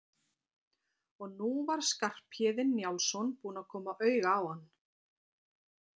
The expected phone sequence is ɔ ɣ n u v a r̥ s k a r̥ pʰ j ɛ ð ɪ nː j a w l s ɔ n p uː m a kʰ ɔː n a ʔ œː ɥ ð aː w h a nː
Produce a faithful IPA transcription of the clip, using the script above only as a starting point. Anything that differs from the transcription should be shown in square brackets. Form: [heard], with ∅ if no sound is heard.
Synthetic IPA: ɔ ɣ n u v a [ɾ̥] s k a r̥ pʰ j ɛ ð ɪ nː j a w l s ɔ n p uː [n] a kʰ ɔː [m] a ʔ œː ɥ [ɣ] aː w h a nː